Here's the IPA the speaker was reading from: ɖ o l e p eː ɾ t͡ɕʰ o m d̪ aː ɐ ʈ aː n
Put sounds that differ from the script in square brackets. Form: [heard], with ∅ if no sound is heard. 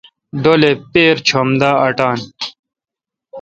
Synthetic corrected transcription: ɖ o l e p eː ɾ t͡ɕʰ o m d̪ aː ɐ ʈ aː n